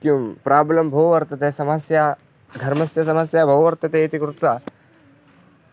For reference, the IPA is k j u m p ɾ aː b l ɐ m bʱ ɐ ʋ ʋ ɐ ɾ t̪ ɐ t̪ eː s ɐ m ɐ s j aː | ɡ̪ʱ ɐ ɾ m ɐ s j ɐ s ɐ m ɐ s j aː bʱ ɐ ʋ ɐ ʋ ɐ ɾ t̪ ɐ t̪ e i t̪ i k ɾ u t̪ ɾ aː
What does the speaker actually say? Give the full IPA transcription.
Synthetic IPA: k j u m p ɾ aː b l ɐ m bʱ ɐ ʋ ʋ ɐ ɾ t̪ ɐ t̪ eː s ɐ m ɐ s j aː | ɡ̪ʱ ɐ ɾ m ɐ s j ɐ s ɐ m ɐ s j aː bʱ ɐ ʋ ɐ ʋ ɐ ɾ t̪ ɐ t̪ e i t̪ i k ɾ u t̪ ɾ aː